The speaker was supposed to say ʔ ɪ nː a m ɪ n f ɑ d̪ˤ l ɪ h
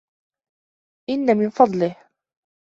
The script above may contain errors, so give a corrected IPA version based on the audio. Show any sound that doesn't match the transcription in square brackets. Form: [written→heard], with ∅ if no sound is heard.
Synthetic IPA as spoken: ʔ ɪ nː a m ɪ n f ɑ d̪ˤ l ɪ h

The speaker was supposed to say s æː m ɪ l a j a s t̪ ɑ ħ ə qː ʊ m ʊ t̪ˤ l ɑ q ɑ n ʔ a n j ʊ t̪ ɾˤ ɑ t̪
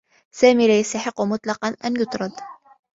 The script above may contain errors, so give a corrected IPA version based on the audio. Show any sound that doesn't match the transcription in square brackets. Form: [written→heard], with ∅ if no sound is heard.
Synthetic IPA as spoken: s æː m [ɪ→i] l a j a s t̪ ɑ ħ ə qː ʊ m ʊ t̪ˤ l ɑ q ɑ n ʔ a n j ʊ t̪ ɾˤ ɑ [t̪→d̪]

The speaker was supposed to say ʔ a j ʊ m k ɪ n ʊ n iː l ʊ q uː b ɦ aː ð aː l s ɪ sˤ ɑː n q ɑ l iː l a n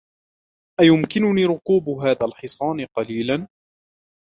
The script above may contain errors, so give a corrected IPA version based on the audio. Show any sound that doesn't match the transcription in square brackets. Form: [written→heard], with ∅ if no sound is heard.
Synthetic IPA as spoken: ʔ a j ʊ m k ɪ n ʊ n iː [l→ɾ] ʊ q uː b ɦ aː ð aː l [s→ħ] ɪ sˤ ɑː n q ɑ l iː l a n

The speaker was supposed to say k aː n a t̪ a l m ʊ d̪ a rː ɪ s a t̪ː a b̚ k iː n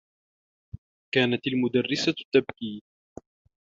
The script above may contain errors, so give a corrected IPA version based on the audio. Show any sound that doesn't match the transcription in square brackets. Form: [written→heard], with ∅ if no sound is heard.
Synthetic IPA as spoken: k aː n a t̪ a l m ʊ d̪ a rː ɪ s a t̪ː a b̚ k iː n

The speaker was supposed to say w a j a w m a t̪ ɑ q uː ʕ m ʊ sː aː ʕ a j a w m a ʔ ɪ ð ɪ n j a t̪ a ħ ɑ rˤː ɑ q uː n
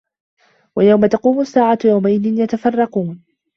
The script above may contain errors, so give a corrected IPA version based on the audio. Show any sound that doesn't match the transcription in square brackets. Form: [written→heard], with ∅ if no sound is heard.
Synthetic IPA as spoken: w a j a w m a t̪ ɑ q uː [ʕ→∅] m ʊ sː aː ʕ a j a w m a ʔ ɪ ð ɪ n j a t̪ a [ħ→f] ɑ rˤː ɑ q uː n

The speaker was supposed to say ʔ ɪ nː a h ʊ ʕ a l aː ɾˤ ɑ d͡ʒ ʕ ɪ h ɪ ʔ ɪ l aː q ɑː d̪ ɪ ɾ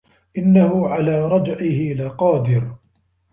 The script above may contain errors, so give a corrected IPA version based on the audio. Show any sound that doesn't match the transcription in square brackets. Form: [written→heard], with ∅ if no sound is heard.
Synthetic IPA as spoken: ʔ ɪ nː a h ʊ ʕ a l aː ɾˤ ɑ d͡ʒ ʕ ɪ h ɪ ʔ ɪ l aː q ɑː d̪ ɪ ɾ

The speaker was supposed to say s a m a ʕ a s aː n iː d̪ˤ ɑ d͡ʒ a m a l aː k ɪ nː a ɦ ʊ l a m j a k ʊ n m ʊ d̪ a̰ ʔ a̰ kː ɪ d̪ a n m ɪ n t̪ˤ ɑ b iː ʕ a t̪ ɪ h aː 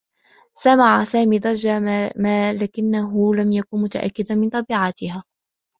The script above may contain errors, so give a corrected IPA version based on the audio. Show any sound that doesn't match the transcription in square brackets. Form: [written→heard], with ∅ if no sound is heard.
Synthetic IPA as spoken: s a m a ʕ a s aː [n→m] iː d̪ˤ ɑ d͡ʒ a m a l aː k ɪ nː a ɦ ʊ l a m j a k ʊ n m ʊ [d̪→t̪] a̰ ʔ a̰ kː ɪ d̪ a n m ɪ n t̪ˤ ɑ b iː ʕ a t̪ ɪ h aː

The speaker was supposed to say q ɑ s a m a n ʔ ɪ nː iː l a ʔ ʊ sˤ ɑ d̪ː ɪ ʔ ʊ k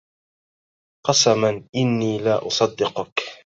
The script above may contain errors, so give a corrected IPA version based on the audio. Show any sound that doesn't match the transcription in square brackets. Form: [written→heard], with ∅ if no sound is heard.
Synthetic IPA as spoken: q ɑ s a m a n ʔ ɪ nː iː l a ʔ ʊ sˤ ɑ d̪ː ɪ [ʔ→q] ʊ k

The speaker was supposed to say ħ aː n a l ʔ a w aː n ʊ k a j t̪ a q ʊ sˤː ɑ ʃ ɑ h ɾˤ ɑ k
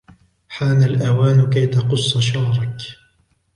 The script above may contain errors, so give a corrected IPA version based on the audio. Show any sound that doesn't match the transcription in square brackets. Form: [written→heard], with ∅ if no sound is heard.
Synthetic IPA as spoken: ħ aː n a l ʔ a w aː n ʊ k a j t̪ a q ʊ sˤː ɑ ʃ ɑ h ɾˤ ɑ k

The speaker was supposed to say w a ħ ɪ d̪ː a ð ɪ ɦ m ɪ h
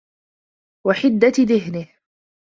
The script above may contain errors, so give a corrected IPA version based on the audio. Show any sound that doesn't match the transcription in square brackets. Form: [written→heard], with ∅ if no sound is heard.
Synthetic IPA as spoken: w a ħ ɪ d̪ː a ð ɪ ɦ [m→n] ɪ h

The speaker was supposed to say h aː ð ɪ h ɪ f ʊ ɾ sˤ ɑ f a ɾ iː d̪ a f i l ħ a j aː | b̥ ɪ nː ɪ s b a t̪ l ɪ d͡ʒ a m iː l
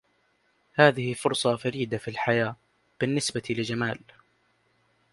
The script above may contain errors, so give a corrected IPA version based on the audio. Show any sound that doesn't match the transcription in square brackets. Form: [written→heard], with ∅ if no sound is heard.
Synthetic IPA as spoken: h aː ð ɪ h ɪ f ʊ ɾ sˤ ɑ f a ɾ iː d̪ a f i l ħ a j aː | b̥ ɪ nː ɪ s b a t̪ l ɪ d͡ʒ a m [iː→aː] l

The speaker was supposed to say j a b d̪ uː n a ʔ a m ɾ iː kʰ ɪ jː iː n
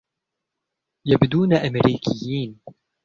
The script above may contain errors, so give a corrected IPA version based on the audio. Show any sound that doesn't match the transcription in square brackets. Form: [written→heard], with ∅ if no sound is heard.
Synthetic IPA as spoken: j a b d̪ uː n a ʔ a m ɾ iː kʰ ɪ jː iː n

